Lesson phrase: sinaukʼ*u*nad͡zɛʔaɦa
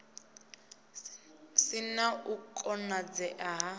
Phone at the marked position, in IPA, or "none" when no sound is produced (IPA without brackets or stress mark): ɔ